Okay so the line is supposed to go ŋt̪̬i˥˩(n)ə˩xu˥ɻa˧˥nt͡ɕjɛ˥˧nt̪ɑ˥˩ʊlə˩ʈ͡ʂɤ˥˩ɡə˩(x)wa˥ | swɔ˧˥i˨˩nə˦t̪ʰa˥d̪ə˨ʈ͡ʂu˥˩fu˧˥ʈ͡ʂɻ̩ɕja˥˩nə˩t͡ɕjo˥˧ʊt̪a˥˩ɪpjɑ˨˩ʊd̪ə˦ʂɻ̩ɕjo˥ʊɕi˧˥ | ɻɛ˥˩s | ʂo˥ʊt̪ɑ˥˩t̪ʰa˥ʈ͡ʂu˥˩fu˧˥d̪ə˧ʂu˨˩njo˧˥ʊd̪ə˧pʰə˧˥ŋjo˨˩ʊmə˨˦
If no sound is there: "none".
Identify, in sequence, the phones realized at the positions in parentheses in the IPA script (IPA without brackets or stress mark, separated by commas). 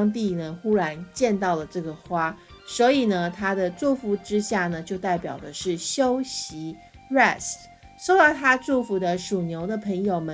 n, x